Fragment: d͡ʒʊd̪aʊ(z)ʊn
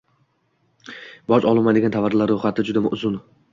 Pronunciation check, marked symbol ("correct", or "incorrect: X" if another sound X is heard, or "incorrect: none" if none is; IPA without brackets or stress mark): correct